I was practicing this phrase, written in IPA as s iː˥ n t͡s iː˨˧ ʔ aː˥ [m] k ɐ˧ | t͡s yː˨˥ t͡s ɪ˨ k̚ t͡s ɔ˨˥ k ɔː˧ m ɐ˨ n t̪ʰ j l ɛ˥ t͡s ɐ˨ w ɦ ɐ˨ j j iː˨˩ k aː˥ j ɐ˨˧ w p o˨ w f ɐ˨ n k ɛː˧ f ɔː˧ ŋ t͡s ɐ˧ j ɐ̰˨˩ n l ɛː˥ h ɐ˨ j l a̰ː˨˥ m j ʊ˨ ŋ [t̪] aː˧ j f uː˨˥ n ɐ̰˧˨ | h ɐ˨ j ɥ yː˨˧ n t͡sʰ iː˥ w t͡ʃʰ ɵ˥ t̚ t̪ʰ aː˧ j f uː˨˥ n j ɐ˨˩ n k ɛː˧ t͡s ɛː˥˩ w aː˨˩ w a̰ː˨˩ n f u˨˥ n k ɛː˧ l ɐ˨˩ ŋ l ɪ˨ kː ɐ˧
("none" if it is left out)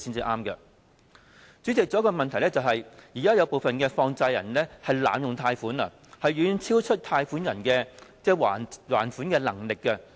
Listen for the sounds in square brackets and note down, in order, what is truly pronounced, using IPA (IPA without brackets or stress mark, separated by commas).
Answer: m, t̪ʰ